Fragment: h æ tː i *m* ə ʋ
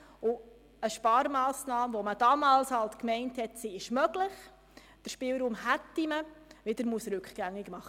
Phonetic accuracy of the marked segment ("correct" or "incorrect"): correct